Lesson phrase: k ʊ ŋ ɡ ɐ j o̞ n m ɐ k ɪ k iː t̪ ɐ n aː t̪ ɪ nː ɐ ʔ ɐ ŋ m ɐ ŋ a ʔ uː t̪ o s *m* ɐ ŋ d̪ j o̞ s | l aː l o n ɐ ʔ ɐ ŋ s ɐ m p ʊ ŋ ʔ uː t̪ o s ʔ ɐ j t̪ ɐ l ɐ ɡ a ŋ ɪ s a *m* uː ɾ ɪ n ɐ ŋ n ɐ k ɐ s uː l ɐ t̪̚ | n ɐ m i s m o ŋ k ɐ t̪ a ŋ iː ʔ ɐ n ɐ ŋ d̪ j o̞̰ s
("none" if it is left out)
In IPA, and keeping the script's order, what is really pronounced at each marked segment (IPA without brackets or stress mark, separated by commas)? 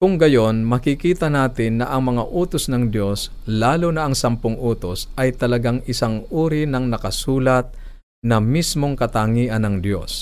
n, ŋ